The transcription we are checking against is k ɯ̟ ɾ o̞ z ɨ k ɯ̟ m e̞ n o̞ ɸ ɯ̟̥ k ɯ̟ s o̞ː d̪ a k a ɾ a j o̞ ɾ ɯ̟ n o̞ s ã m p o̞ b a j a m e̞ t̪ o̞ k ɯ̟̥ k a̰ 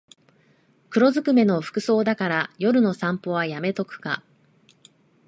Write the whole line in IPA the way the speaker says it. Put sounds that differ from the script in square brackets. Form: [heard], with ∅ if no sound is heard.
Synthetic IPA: k ɯ̟ ɾ o̞ z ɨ k ɯ̟ m e̞ n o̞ ɸ ɯ̟̥ k ɯ̟ s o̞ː d̪ a k a ɾ a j o̞ ɾ ɯ̟ n o̞ s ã m p o̞ [β] a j a m e̞ t̪ o̞ k ɯ̟̥ k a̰